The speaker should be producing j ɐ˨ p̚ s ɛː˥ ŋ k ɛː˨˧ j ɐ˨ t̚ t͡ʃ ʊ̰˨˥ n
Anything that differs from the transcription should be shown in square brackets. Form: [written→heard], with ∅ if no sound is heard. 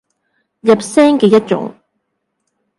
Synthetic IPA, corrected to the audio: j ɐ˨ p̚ s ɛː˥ ŋ k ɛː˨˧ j [ɐ˨→ɐ˥] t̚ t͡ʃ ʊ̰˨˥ [n→ŋ]